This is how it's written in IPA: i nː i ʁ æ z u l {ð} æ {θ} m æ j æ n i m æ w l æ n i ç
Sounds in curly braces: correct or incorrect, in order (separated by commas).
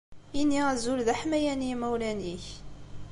correct, incorrect